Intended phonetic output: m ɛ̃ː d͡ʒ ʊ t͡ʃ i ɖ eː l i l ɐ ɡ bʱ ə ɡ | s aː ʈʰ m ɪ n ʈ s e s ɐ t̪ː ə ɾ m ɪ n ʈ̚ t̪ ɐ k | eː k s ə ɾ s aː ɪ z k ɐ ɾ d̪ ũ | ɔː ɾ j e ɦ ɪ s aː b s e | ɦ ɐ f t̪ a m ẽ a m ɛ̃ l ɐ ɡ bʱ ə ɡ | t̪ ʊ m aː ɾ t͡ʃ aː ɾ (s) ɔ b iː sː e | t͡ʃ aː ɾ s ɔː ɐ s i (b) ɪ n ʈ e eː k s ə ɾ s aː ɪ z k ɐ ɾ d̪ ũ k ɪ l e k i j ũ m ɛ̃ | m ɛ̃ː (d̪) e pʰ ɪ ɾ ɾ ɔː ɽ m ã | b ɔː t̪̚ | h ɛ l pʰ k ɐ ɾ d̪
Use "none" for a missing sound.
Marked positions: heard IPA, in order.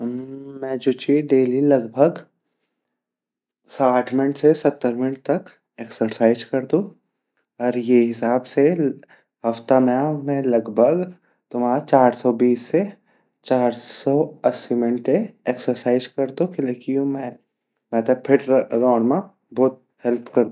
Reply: s, m, t̪

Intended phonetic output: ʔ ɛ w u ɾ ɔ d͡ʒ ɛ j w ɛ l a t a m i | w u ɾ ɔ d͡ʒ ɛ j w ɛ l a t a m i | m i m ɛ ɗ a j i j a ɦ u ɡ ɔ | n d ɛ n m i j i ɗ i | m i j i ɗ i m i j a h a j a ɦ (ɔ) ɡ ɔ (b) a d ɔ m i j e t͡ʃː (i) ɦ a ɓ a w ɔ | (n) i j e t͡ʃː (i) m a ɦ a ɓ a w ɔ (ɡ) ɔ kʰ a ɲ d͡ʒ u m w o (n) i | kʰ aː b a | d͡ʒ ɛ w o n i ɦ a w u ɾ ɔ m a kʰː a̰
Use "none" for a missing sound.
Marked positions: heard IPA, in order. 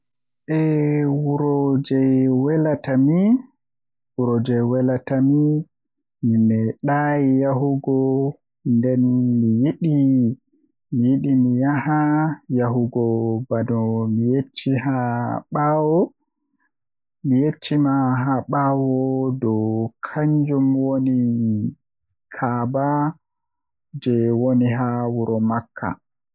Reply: u, b, i, m, i, d, n

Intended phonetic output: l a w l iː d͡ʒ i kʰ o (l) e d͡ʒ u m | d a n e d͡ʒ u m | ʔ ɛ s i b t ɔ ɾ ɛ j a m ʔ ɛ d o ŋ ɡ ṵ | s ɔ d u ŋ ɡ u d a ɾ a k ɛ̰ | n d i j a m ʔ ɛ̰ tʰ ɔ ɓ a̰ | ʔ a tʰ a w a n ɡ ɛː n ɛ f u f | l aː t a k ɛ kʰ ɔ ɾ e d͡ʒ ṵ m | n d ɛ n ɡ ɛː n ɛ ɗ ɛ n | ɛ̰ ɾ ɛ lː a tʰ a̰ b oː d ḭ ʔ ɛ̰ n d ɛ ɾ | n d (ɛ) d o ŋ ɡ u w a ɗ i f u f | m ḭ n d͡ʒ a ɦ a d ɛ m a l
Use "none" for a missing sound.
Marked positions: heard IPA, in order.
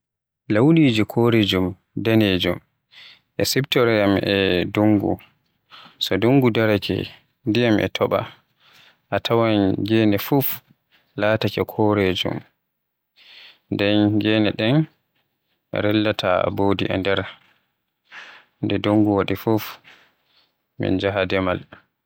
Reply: ɾ, ɛ

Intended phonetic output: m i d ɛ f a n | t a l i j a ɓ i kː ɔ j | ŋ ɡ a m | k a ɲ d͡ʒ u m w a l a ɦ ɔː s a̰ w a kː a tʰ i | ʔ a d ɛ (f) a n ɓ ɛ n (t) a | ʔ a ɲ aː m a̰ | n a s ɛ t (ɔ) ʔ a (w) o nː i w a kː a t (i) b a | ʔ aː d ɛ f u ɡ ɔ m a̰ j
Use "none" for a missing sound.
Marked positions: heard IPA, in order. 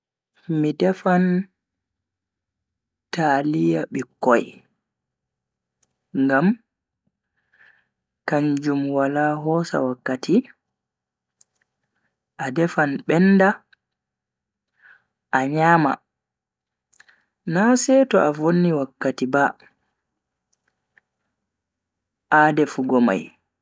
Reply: f, d, ɔ, v, i

